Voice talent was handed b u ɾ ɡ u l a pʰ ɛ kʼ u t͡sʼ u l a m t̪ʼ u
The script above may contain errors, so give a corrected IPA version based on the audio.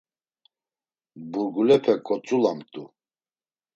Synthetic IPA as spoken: b u ɾ ɡ u l ɛ pʰ ɛ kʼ ɔ t͡sʼ u l a m t̪ʼ u